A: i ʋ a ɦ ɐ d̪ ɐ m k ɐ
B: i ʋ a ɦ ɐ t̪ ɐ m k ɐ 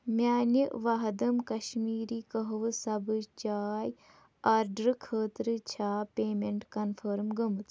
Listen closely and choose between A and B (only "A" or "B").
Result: A